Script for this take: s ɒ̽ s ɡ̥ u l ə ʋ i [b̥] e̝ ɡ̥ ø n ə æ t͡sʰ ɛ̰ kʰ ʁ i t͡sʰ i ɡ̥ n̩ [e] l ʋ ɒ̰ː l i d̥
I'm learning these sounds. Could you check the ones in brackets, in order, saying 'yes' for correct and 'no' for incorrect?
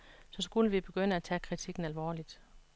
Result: yes, no

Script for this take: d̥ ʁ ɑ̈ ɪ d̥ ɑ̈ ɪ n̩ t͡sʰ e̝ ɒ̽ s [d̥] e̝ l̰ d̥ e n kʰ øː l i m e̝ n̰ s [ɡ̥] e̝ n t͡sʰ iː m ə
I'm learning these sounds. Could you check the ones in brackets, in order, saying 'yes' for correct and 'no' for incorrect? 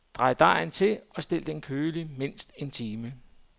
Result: yes, no

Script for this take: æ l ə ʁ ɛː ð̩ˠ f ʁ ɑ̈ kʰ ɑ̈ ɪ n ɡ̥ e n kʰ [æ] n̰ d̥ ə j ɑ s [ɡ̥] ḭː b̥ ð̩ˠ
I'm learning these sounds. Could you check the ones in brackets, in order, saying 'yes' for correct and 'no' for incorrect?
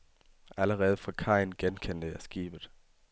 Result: no, yes

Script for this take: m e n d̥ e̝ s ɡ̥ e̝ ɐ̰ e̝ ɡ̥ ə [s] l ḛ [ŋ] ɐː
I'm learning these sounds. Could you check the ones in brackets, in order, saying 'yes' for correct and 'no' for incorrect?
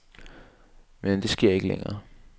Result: no, yes

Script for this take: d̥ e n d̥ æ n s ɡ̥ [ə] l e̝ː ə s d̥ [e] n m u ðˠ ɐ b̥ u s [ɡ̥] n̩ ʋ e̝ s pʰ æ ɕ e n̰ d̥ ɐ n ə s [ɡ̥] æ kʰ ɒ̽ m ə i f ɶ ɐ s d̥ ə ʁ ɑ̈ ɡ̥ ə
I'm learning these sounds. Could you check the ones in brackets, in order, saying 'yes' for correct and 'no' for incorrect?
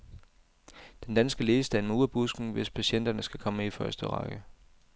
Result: yes, no, yes, yes

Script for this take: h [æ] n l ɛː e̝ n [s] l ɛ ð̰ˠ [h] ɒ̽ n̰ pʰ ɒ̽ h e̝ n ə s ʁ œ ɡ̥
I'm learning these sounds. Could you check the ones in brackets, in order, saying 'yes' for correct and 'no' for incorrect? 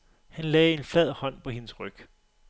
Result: yes, no, yes

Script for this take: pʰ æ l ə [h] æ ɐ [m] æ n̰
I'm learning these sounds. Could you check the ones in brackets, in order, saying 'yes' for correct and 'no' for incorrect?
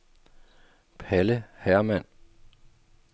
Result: yes, yes

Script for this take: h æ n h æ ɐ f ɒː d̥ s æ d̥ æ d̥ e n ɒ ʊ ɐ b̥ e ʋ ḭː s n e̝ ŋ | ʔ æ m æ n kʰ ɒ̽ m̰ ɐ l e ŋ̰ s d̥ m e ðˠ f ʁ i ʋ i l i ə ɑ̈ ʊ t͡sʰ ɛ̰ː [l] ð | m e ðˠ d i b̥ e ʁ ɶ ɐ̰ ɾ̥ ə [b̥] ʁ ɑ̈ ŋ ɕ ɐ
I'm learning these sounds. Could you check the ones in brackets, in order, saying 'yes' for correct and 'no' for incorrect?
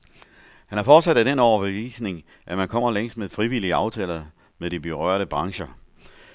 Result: yes, yes

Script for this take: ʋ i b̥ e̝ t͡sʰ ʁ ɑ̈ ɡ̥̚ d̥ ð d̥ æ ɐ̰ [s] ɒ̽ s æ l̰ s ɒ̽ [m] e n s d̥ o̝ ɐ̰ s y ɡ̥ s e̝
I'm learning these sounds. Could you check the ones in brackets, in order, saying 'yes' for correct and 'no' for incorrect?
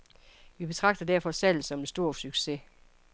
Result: no, yes

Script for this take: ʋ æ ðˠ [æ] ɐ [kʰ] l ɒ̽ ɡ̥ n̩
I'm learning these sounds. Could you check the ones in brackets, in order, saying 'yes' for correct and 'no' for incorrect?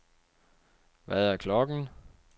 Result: yes, yes

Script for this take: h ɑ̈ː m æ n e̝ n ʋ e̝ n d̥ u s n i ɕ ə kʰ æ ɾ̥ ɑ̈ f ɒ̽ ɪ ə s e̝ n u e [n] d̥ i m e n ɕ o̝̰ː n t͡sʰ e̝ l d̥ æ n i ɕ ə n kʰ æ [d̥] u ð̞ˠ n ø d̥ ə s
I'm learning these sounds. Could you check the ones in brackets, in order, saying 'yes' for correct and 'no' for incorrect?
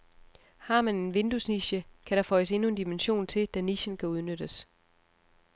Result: yes, no

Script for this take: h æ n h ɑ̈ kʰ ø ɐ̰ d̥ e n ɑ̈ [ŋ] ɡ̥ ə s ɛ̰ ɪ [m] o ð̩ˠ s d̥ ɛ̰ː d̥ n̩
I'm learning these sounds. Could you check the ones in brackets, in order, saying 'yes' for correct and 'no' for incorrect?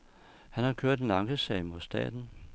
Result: yes, yes

